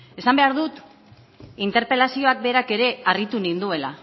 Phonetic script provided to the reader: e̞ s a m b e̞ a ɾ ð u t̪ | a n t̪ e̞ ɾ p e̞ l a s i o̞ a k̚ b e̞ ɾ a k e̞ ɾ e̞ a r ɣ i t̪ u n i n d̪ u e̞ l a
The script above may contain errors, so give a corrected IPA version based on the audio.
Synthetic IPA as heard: e̞ s a m b e̞ a ɾ ð u t̪ | i n t̪ e̞ ɾ p e̞ l a s i o̞ a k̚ b e̞ ɾ a k e̞ ɾ e̞ a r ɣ i t̪ u n i n d̪ u e̞ l a